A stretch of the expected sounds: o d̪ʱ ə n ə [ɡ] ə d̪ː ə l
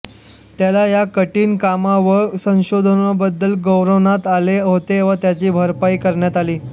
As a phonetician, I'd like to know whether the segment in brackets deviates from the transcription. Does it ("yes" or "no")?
yes